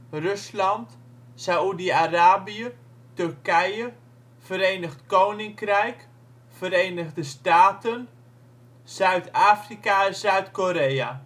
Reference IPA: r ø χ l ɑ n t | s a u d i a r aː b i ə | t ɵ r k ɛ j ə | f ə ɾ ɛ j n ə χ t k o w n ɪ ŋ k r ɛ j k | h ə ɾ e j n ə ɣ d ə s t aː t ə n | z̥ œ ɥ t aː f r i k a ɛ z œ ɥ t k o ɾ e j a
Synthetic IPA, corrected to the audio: r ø s l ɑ n t | s a u d i a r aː b i ə | t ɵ r k ɛ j ə | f ə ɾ e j n ə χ t k o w n ɪ ŋ k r ɛ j k | f ə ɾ e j n ə ɣ d ə s t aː t ə n | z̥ œ ɥ t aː f r i k a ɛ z œ ɥ t k o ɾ e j a